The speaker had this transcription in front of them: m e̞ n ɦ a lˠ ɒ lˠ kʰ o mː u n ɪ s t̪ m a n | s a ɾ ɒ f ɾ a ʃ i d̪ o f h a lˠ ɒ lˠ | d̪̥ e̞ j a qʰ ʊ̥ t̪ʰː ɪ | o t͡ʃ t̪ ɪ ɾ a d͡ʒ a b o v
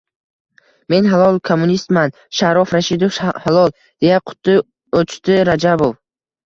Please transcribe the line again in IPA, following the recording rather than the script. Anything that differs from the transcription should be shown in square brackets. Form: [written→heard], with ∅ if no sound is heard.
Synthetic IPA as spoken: m e̞ n ɦ a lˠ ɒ lˠ kʰ o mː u n [ɪ→i] s t̪ m a n | [s→ʃ] a ɾ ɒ f ɾ a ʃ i d̪ o f h a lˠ ɒ lˠ | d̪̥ e̞ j a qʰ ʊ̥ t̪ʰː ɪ | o t͡ʃ t̪ ɪ ɾ a d͡ʒ a b o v